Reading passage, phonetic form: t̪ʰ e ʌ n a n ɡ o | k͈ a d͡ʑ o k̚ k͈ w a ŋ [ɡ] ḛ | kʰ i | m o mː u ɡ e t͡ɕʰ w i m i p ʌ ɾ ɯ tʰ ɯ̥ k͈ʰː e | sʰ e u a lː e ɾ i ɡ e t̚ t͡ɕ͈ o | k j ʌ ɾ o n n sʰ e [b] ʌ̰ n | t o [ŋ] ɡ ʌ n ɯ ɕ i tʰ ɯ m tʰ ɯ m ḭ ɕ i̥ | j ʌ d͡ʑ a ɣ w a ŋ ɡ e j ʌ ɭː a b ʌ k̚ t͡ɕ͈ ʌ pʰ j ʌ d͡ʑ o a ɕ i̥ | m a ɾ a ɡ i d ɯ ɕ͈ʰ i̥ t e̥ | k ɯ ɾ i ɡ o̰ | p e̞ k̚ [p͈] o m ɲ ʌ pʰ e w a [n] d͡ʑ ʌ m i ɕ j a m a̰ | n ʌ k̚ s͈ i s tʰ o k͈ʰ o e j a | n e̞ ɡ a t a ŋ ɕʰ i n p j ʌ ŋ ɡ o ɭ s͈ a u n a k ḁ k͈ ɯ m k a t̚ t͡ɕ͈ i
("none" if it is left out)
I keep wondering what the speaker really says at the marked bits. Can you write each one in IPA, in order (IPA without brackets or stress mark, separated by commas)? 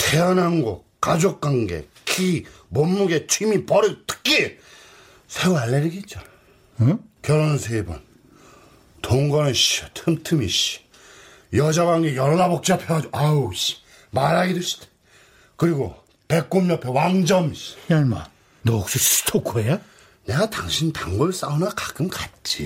ɡ, b, ŋ, k͈, ŋ